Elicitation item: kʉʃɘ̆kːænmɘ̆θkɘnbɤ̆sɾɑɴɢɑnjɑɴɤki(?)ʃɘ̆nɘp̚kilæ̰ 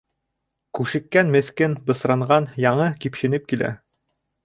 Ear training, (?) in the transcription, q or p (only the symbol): p